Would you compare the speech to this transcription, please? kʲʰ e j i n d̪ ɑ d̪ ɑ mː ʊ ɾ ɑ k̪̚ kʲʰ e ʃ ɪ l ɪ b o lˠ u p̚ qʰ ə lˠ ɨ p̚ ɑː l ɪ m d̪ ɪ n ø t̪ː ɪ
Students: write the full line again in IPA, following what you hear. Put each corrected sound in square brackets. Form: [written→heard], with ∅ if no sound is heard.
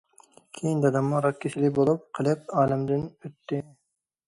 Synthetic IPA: kʲʰ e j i n d̪ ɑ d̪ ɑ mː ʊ ɾ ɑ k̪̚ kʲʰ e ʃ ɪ l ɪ b o lˠ u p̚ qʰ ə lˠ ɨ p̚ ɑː l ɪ m d̪ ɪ n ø t̪ː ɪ